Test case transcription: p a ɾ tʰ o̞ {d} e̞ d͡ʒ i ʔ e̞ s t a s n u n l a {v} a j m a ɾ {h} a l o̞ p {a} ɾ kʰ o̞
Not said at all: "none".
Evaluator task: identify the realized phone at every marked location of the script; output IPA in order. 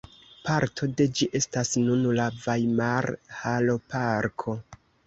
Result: d, v, h, a

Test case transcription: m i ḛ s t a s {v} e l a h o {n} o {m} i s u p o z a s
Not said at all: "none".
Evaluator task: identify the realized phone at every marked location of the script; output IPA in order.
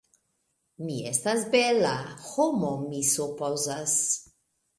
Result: b, m, m

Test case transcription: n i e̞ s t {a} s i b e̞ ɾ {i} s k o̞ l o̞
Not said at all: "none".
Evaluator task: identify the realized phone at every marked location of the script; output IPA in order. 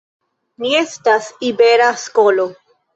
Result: a, a

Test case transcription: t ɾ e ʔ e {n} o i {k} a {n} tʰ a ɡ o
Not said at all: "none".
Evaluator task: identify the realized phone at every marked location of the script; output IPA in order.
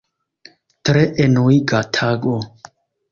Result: n, ɡ, none

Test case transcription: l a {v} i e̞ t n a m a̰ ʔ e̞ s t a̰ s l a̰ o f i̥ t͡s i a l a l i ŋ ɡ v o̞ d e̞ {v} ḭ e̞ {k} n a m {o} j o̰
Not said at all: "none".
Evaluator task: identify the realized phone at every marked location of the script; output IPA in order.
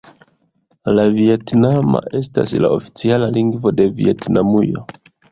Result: v, v, t, u

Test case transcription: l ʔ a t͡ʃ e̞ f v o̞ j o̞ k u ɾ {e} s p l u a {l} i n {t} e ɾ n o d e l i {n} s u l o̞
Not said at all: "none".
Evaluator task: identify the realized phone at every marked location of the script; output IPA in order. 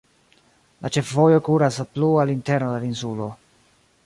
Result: a, l, t, n

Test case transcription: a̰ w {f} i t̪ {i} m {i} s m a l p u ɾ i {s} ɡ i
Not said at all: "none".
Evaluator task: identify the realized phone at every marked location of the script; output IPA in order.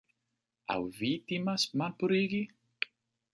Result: v, i, a, none

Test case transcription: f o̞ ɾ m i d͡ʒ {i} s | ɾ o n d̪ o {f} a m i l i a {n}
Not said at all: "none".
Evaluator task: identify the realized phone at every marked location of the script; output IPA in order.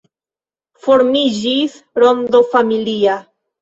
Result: i, f, none

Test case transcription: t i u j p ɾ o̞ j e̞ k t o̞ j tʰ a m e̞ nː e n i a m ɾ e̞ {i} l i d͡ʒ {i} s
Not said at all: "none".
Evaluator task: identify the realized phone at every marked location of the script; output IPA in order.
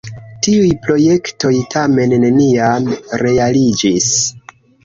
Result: a, i

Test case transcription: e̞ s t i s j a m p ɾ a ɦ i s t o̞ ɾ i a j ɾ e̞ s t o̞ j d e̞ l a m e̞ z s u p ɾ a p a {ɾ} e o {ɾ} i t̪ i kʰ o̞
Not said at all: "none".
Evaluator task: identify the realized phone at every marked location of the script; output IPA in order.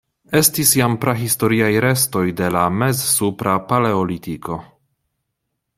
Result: l, l

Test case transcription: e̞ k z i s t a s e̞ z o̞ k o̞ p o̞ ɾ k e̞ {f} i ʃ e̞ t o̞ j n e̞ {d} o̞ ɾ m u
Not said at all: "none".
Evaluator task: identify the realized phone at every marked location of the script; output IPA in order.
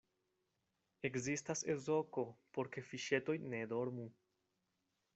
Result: f, d

